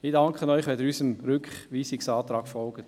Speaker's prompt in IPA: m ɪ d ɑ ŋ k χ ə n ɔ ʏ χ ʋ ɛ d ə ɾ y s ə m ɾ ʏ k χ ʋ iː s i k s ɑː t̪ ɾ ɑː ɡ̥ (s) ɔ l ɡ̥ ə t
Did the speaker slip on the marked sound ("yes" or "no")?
yes